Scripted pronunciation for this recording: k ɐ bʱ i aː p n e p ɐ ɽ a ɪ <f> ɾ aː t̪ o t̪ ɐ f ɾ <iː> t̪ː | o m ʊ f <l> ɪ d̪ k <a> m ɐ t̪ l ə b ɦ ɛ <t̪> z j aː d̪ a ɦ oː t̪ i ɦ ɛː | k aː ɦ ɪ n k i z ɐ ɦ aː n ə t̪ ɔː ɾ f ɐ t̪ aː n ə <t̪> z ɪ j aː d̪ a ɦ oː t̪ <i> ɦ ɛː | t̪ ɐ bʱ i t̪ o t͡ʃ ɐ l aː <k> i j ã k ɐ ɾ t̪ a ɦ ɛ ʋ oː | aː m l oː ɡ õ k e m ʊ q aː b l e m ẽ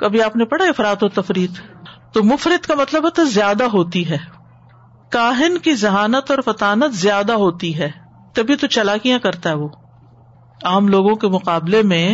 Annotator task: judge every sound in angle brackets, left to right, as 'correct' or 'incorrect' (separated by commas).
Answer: correct, correct, incorrect, correct, correct, correct, correct, correct